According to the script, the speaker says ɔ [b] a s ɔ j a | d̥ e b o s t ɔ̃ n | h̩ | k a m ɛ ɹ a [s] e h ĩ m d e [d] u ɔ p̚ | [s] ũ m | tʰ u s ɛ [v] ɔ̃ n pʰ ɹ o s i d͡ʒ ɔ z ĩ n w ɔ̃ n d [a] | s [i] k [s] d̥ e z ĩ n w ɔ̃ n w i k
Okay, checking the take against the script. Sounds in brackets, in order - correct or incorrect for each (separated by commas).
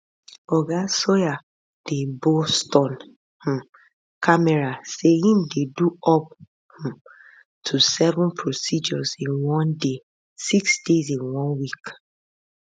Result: incorrect, correct, correct, incorrect, correct, incorrect, correct, correct